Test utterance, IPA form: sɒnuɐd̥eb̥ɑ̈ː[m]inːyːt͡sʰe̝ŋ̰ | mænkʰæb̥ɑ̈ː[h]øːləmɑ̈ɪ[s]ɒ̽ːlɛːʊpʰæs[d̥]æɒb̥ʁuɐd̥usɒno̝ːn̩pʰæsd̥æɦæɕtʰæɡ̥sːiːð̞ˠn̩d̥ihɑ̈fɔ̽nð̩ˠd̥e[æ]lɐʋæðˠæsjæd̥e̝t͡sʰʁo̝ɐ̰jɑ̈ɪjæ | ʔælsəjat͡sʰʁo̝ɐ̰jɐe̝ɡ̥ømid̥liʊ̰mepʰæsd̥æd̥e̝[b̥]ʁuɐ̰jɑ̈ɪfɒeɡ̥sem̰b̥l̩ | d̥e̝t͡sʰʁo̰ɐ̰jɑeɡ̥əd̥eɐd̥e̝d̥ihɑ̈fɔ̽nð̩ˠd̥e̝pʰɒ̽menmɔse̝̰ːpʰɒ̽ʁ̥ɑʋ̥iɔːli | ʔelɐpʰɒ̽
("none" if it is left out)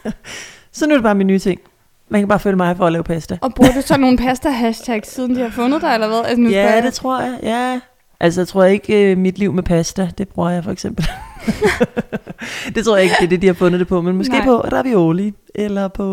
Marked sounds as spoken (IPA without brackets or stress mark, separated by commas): m, f, f, d̥, e, b̥